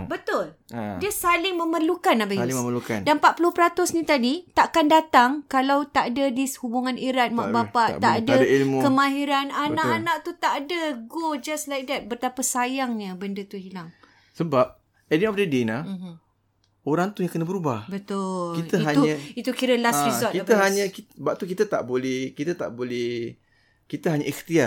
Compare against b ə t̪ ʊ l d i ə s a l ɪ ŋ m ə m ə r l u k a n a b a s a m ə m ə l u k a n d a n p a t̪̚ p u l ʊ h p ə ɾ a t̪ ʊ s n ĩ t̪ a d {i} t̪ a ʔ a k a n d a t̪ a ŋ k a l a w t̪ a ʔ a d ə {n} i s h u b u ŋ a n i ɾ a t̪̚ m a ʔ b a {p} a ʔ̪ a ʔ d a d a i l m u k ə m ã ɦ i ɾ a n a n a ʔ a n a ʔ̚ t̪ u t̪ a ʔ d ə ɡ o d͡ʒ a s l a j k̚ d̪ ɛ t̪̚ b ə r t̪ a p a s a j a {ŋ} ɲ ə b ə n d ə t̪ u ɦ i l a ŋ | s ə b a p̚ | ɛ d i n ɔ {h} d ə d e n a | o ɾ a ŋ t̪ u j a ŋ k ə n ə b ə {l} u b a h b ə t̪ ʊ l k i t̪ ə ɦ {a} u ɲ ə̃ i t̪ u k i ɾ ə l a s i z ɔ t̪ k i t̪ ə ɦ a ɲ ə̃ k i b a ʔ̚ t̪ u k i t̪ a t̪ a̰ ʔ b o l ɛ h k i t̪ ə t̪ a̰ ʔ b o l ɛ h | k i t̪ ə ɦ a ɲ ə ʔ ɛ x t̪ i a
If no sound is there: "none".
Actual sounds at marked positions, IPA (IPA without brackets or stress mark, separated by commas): i, d, p, ŋ, f, ɾ, a